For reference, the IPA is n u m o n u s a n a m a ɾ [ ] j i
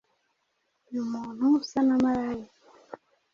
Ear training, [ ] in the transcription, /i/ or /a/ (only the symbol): a